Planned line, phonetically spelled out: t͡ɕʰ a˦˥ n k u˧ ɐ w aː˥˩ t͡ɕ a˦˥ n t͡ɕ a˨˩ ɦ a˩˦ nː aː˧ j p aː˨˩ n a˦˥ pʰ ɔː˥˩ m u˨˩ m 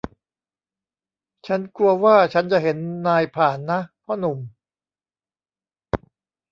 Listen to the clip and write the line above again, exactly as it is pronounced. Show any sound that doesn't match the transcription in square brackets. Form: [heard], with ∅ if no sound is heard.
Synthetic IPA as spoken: t͡ɕʰ a˦˥ n k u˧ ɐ w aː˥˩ [t͡ɕʰ] a˦˥ n t͡ɕ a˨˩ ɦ [e˩˦] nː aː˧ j [pʰ] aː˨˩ [nː] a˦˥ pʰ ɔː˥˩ [n] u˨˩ m